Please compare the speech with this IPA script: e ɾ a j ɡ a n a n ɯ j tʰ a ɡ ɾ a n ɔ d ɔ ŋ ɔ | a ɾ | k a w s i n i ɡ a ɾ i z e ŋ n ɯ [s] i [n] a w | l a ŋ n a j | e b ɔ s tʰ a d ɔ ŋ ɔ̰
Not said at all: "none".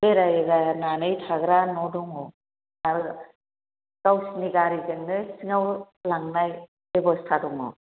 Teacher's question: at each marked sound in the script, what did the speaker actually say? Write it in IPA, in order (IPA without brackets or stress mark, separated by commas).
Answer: s, ŋ